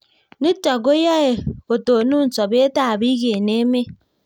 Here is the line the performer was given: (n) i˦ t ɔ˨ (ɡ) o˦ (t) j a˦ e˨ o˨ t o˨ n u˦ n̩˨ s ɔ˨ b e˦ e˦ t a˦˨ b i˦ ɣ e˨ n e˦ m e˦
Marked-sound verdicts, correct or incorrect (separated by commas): correct, correct, incorrect